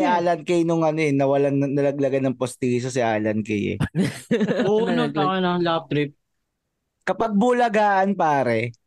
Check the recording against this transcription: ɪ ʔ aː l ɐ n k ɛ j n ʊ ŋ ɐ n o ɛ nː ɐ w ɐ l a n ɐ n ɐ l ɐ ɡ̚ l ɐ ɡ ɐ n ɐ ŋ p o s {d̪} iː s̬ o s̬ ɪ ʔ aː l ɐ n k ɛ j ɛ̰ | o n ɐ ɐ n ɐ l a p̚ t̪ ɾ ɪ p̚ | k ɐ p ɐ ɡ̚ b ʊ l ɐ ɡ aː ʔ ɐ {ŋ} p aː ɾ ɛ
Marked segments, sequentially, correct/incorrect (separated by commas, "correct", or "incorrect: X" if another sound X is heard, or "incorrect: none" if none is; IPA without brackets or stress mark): incorrect: t̪, incorrect: n